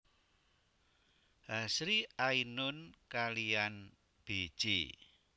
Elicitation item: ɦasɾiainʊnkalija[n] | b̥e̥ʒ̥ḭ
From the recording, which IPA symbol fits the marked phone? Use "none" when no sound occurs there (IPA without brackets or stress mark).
n